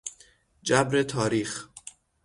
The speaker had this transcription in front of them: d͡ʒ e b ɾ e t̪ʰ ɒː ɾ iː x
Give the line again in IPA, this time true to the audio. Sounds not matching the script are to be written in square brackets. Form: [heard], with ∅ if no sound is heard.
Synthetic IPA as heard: d͡ʒ [æ] b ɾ e t̪ʰ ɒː ɾ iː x